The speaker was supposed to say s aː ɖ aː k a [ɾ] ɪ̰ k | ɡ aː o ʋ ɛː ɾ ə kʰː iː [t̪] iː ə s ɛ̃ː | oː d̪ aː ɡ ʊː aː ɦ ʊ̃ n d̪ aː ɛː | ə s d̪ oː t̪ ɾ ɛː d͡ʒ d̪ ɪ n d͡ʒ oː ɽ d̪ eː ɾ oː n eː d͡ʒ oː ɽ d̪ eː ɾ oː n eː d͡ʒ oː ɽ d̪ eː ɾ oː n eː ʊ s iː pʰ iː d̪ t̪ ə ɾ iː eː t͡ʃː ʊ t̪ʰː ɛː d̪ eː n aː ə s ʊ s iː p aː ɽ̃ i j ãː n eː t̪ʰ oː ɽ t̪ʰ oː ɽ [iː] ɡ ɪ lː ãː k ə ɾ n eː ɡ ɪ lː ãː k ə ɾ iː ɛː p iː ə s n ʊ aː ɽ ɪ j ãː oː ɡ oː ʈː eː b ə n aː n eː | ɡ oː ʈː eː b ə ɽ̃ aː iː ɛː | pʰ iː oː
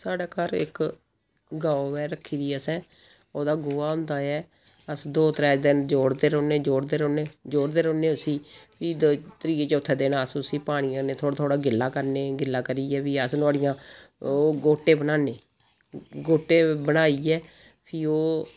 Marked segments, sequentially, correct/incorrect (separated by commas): correct, incorrect, incorrect